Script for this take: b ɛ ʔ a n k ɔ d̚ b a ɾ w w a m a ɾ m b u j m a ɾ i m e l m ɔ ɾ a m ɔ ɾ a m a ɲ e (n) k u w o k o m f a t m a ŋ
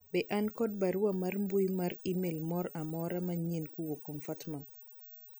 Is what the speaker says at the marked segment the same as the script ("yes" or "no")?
yes